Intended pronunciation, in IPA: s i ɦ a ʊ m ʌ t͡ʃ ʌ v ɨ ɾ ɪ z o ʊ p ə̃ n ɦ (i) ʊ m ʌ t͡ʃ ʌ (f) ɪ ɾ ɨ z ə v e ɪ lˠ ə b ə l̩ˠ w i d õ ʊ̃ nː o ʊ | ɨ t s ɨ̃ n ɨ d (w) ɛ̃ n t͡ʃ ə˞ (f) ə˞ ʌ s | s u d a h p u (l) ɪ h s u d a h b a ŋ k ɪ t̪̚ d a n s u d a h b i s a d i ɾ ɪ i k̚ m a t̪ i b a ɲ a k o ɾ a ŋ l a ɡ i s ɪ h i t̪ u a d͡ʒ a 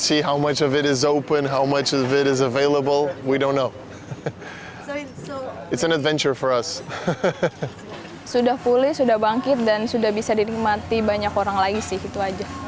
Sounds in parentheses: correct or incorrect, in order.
incorrect: a, incorrect: v, incorrect: v, correct, correct

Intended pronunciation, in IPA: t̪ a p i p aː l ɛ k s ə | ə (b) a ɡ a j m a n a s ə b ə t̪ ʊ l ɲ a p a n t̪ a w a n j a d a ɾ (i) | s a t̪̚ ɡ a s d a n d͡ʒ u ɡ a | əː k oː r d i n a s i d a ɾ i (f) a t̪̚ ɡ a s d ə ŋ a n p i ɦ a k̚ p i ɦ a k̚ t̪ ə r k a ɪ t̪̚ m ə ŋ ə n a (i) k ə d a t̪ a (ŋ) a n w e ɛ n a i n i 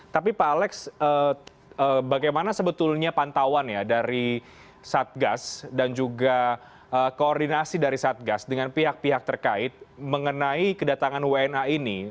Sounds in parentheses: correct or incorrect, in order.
correct, correct, incorrect: s, correct, correct

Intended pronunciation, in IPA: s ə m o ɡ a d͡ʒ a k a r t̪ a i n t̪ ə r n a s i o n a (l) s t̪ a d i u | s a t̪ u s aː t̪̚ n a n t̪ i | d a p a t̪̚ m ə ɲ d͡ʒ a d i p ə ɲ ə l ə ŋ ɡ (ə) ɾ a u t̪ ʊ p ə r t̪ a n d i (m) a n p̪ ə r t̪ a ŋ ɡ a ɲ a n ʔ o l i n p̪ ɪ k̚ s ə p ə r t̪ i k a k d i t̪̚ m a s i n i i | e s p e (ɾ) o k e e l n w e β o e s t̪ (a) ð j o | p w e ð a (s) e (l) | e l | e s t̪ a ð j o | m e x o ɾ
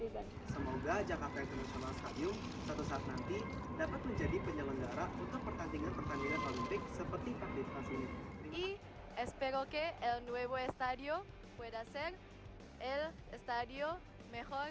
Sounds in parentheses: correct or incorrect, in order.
correct, incorrect: a, incorrect: ŋ, correct, correct, correct, incorrect: ɾ

